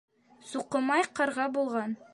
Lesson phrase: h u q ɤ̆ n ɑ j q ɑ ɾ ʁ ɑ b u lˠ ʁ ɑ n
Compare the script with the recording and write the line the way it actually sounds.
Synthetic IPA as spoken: s u q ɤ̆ m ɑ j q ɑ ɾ ʁ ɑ b u lˠ ʁ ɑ n